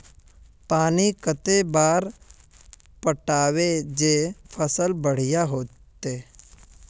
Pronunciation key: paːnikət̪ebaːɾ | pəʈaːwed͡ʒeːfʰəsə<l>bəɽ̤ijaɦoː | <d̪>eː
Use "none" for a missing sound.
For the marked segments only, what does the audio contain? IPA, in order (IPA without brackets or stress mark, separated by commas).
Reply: l, t̪